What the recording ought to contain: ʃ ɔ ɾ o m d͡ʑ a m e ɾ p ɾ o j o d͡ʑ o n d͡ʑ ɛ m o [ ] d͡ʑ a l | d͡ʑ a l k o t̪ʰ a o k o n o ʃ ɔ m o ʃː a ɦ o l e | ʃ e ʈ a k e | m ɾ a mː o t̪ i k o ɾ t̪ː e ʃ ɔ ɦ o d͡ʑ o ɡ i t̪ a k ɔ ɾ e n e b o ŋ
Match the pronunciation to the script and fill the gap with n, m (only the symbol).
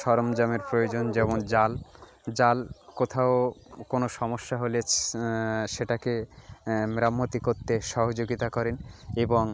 n